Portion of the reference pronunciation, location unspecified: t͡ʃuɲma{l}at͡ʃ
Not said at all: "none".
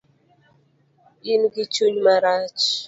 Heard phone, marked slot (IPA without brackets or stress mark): ɾ